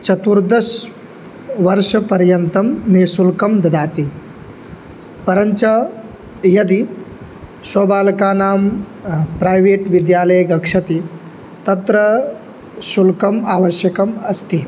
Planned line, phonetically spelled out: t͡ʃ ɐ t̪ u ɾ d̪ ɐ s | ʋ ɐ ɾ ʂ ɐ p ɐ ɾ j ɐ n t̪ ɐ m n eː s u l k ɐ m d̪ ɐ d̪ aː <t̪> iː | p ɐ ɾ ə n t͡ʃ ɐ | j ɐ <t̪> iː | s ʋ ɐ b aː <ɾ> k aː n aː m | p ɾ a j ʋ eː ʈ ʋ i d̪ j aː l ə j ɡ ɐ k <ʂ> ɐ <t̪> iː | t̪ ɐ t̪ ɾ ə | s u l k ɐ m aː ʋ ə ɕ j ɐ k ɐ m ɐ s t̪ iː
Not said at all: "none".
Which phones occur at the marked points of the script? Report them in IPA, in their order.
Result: t̪, d̪, l, ʂ, t̪

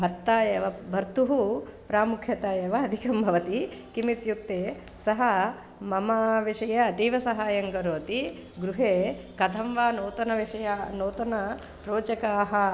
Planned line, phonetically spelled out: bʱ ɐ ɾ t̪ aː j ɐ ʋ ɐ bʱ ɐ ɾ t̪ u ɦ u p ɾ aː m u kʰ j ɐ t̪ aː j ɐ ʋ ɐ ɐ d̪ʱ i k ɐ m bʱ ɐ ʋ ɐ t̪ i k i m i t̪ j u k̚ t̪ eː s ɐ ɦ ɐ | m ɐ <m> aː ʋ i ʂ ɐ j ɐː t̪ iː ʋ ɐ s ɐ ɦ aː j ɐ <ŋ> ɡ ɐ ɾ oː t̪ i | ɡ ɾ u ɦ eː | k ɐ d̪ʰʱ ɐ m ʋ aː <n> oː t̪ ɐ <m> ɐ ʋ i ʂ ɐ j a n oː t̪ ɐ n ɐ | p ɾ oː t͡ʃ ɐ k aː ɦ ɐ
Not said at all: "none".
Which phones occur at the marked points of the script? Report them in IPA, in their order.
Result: m, ŋ, n, n

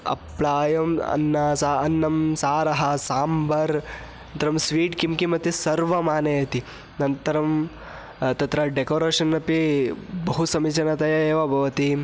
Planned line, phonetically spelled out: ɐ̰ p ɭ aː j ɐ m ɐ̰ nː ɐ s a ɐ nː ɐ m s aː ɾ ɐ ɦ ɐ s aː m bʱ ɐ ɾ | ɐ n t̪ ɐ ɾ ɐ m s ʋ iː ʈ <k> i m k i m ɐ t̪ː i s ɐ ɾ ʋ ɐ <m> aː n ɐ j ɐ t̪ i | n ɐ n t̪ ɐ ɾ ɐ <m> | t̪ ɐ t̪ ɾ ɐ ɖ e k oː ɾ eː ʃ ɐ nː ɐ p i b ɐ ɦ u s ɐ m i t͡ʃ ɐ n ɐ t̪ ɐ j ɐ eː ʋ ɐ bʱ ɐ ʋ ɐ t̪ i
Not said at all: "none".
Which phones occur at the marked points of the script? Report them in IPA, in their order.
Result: k, m, m

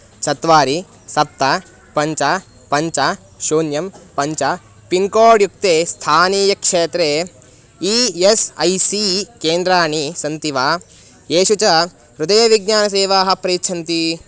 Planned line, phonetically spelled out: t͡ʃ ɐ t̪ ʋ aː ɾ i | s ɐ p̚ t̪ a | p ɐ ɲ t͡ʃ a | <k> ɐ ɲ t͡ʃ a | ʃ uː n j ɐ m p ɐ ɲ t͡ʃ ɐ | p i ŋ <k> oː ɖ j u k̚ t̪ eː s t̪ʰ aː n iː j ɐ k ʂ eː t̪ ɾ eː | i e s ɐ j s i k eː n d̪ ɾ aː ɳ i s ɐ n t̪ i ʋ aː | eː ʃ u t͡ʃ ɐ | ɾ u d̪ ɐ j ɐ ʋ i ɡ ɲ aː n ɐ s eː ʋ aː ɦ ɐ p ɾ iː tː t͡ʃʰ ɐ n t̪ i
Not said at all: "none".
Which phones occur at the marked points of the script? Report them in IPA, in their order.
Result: p, k

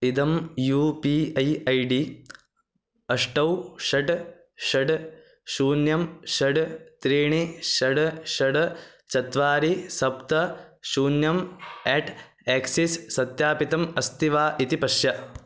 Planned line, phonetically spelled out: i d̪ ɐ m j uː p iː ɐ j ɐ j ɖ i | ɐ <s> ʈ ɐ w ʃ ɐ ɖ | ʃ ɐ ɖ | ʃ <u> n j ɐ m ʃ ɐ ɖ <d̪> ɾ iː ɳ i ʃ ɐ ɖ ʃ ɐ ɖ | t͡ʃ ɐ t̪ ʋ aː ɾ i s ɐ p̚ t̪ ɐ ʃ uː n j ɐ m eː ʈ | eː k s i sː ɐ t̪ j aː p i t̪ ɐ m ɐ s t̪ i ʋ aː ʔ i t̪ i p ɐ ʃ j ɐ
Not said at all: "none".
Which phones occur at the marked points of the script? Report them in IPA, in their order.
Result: ʂ, uː, t̪

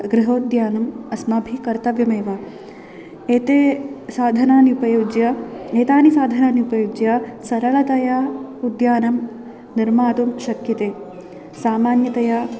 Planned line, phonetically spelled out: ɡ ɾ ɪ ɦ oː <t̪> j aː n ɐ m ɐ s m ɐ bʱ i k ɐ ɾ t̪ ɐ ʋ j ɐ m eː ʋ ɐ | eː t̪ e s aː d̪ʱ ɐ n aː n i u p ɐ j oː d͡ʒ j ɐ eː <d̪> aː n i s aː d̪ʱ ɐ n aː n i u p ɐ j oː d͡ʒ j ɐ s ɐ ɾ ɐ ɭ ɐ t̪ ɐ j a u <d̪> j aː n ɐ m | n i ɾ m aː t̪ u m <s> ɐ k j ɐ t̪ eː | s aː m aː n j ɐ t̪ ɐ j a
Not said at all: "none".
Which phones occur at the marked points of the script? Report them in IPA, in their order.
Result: d̪, t̪, d̪, ʃ

